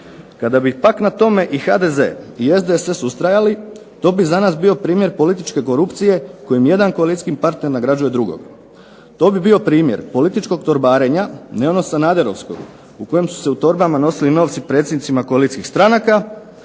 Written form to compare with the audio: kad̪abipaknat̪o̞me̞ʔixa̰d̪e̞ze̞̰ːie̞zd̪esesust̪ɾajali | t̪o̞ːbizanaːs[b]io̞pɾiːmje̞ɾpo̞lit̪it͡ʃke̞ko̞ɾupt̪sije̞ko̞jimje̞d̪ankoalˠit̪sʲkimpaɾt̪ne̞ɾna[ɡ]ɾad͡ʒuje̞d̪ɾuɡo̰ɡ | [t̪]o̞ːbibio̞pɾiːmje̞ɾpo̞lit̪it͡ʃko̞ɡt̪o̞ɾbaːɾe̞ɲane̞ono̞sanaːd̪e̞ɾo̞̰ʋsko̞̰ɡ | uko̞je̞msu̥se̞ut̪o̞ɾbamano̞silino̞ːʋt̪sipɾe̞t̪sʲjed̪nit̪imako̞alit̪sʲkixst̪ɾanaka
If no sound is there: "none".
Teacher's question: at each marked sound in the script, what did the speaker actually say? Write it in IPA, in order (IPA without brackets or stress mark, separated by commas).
b, ɡ, t̪